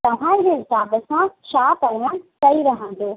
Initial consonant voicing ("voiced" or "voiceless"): voiceless